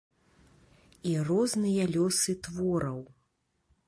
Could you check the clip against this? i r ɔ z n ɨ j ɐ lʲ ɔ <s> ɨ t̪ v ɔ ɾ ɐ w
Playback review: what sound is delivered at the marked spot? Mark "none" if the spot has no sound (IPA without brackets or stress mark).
s